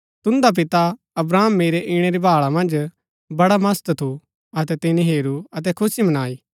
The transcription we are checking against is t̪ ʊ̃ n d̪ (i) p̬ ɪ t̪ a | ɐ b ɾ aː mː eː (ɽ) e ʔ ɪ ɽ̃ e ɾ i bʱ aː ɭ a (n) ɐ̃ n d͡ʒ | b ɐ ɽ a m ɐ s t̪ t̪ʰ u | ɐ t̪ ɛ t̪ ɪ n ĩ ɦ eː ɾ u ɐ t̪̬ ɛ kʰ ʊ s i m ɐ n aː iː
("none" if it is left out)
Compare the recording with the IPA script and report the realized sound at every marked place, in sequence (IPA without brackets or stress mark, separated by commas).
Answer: a, ɾ, m